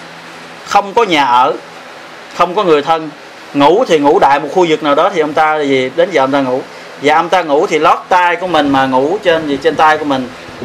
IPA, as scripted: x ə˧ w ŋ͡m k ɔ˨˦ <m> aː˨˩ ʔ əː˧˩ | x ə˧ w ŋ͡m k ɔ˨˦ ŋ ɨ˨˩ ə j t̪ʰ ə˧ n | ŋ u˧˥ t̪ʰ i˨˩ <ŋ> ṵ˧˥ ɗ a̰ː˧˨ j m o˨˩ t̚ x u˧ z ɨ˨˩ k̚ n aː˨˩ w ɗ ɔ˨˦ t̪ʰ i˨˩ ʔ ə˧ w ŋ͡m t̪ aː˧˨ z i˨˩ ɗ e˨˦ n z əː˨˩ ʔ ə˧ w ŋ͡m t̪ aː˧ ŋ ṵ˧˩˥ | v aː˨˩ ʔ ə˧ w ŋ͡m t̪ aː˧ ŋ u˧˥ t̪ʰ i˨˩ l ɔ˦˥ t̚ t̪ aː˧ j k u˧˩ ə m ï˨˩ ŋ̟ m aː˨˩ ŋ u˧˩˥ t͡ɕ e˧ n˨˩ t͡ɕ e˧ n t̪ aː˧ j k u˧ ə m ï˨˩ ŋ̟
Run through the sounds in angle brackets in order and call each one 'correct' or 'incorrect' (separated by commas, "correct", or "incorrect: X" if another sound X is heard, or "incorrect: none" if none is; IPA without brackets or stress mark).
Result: incorrect: ɲ, correct